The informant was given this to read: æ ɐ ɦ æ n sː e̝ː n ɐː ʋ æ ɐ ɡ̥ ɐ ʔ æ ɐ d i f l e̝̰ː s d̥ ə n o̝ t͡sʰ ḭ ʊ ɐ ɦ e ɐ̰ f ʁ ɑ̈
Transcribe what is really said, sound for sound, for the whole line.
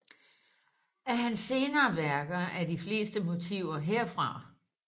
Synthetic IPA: æ ɐ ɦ æ n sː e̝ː n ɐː ʋ æ ɐ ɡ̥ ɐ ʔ æ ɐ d i f l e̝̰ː s d̥ ə m o̝ t͡sʰ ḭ ʊ ɐ ɦ e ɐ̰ f ʁ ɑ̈